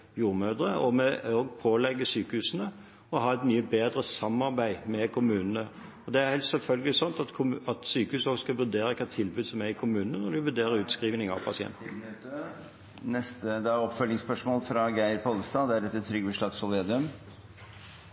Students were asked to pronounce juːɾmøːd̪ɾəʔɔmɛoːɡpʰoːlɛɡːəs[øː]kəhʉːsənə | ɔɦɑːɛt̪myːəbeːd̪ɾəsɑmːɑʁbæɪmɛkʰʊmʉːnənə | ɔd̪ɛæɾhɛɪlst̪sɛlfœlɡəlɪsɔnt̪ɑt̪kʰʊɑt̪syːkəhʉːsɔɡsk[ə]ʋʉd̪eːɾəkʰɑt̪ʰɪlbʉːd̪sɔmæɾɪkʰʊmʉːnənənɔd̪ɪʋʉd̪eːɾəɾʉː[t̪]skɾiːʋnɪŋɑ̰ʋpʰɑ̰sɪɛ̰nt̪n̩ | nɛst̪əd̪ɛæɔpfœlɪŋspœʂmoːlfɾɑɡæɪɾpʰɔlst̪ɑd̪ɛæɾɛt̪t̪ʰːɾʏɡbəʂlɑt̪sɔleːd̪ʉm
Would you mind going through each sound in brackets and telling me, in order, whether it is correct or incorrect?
incorrect, incorrect, correct

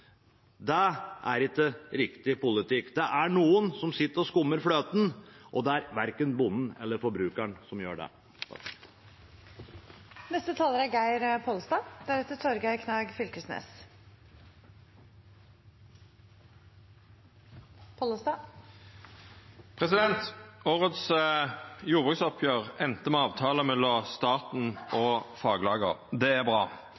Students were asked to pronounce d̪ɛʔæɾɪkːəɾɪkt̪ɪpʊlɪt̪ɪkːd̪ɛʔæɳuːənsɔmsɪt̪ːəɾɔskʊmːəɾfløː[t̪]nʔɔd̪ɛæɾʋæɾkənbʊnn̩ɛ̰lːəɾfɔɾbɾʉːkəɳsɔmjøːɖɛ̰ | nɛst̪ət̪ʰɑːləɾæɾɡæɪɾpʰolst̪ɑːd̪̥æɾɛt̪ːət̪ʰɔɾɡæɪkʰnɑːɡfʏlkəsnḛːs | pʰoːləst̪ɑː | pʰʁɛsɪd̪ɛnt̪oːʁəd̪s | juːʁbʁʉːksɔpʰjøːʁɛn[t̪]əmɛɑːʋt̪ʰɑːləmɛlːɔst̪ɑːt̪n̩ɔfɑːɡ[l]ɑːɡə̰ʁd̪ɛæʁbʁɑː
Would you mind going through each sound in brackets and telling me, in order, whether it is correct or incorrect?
correct, correct, correct

